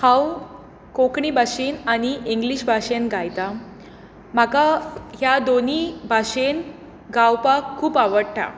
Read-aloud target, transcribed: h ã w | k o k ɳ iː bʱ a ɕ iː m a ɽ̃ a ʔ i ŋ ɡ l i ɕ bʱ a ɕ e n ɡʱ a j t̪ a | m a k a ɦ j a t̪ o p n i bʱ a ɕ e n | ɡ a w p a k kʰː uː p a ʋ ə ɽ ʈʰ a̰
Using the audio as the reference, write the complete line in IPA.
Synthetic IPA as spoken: h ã w | k o k ɳ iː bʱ a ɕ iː n a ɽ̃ i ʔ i ŋ ɡ l i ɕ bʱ a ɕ e n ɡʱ a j t̪ a | m a k a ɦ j a d̪ o n i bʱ a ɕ e n | ɡ a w p a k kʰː uː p a ʋ ə ɽ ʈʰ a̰